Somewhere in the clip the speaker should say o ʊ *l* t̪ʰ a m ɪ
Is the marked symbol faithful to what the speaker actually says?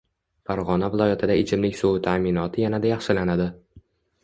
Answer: no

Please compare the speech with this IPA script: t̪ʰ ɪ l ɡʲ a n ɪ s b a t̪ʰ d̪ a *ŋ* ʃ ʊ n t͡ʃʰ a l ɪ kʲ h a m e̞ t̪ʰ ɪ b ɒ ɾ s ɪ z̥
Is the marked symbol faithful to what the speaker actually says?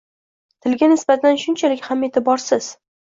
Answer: no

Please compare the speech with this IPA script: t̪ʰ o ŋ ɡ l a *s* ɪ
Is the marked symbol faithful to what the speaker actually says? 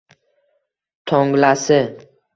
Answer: yes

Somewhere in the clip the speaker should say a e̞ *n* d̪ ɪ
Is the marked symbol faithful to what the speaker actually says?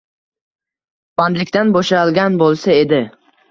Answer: no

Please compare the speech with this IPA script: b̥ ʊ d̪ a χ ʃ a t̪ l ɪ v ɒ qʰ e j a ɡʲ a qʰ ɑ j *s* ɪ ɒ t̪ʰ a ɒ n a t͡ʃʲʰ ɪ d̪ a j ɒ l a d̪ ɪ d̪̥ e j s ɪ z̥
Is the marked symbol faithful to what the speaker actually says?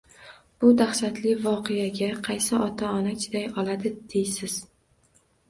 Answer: yes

